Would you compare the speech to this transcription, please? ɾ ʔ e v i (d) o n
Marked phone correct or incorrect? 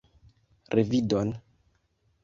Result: correct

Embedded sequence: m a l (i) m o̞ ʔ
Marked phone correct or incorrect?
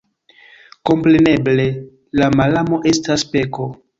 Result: incorrect: a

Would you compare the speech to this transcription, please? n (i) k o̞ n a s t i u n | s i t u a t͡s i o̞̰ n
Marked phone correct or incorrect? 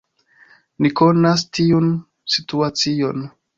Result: correct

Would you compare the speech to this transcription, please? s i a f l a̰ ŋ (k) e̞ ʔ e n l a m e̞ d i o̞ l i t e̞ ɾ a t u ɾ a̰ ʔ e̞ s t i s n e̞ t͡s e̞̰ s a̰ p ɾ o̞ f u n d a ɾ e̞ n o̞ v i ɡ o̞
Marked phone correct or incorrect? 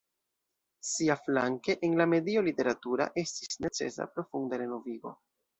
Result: correct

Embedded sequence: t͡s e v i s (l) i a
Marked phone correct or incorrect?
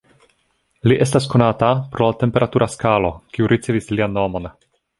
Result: correct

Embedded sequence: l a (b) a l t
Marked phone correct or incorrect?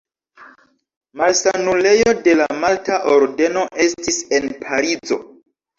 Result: incorrect: m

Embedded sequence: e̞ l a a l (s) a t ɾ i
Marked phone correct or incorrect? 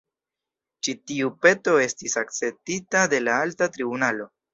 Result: incorrect: t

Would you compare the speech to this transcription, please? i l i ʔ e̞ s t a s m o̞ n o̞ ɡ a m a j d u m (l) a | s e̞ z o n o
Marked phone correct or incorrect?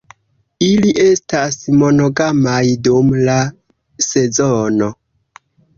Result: correct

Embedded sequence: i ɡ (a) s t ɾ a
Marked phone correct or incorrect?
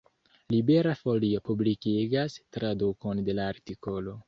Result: correct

